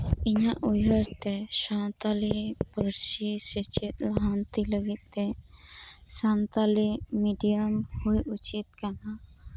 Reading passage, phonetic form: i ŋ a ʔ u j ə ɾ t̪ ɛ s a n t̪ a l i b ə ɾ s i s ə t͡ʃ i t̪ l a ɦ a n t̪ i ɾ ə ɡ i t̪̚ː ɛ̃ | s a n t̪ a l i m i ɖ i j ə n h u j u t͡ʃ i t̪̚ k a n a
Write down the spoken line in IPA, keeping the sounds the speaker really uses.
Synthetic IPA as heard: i ɲ a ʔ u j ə ɾ t̪ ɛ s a n t̪ a l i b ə ɾ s i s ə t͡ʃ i t̪ l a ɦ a n t̪ i l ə ɡ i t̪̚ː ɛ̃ | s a n t̪ a l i m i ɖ i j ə m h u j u t͡ʃ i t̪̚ k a n a